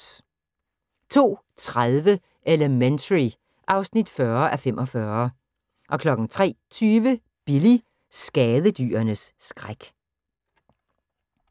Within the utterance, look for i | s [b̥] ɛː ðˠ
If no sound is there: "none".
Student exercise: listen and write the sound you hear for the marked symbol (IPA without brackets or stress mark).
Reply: ɡ̥